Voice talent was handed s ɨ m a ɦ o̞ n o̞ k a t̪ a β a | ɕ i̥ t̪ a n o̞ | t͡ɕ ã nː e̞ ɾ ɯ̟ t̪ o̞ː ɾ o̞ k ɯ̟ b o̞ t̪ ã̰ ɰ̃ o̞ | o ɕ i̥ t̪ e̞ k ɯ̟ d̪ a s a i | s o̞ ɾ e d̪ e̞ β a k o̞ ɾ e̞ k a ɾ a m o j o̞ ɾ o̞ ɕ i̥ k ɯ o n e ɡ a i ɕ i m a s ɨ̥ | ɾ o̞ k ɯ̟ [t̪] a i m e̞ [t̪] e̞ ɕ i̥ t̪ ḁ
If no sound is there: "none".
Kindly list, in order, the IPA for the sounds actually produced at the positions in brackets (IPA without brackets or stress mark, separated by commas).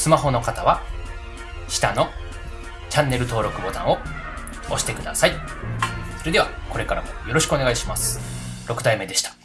d̪, d̪